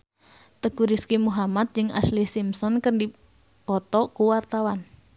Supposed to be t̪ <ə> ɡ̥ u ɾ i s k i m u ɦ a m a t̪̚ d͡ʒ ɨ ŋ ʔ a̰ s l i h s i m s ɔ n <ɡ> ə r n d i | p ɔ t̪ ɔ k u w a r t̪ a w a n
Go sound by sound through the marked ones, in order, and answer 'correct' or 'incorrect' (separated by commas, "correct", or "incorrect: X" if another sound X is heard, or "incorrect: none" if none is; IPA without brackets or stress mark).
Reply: correct, incorrect: k